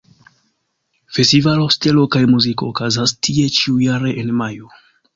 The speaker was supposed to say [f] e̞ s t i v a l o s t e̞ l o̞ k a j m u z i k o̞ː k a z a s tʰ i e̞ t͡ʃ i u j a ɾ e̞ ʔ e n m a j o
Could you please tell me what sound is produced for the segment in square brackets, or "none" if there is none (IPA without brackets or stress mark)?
f